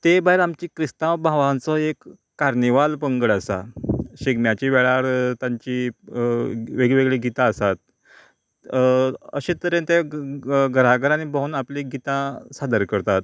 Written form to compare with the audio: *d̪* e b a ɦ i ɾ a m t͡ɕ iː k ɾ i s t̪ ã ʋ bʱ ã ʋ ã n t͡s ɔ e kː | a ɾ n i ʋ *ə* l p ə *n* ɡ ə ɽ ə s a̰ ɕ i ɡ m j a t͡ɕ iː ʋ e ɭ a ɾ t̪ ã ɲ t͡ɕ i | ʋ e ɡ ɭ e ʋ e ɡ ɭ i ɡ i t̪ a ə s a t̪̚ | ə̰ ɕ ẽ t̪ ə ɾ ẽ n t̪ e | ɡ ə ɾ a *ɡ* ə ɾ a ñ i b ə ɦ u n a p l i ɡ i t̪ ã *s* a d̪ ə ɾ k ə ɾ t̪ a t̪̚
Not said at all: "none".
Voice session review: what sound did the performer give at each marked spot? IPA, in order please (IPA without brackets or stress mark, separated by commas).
t̪, a, ŋ, ɡ, s